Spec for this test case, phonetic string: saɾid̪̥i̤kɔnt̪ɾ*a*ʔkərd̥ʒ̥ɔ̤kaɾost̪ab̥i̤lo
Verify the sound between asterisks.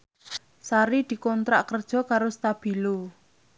correct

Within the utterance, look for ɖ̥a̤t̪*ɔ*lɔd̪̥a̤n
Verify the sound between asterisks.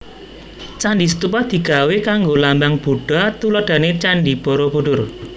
incorrect: u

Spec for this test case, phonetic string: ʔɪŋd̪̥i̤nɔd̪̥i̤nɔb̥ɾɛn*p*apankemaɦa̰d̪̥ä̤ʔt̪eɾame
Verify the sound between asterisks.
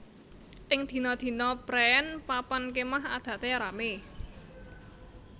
correct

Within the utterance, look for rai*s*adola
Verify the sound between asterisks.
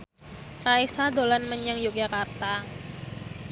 correct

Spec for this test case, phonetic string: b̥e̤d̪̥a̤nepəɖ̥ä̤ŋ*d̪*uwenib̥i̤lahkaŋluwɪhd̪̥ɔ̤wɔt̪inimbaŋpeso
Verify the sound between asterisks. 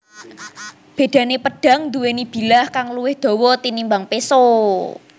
correct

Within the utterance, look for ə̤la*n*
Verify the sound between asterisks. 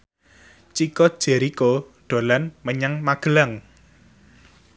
incorrect: ŋ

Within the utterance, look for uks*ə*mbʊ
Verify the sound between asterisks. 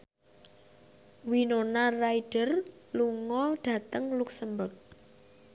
correct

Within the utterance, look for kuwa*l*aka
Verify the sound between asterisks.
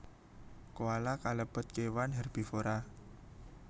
correct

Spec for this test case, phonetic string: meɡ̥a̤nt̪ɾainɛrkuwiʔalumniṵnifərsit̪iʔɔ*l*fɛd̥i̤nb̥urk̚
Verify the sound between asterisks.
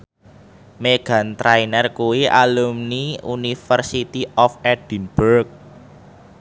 incorrect: none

